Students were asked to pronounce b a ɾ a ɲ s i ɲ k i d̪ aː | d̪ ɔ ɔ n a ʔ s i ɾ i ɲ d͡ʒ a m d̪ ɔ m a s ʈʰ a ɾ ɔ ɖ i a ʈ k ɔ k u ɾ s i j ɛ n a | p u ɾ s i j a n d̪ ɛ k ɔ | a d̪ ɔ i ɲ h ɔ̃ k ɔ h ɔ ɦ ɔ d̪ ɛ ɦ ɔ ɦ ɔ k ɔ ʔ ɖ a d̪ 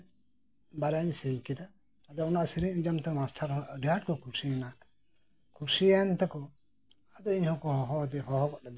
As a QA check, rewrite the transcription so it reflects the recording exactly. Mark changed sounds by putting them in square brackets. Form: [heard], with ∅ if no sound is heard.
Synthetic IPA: b a ɾ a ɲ s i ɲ k i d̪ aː | d̪ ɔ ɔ n a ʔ s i ɾ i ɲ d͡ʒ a m [t̪] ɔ m a s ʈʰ a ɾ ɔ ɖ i a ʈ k ɔ k u ɾ s i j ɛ n a | [k] u ɾ s i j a n [t̪] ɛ k ɔ | a d̪ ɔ i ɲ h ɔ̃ k ɔ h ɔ ɦ ɔ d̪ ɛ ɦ ɔ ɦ ɔ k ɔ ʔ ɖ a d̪